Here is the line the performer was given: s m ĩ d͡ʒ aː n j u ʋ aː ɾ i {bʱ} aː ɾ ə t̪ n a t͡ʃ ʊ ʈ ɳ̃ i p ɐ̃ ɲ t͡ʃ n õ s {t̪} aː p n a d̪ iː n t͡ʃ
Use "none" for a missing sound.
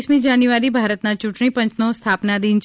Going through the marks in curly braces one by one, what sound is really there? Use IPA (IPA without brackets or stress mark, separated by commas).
bʱ, t̪ʰ